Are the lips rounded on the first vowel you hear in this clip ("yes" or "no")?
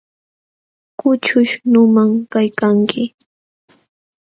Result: yes